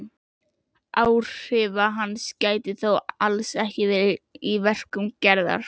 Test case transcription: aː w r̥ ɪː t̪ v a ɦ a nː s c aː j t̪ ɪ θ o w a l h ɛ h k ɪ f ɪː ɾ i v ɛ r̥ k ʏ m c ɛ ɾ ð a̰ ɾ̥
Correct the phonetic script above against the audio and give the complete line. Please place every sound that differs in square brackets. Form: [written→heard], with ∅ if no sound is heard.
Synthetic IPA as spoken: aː w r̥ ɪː [t̪→∅] v a ɦ a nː s c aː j t̪ ɪ θ o w a l [h→s] ɛ h [k→c] ɪ [f→v] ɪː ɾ i v ɛ r̥ k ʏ m c ɛ ɾ ð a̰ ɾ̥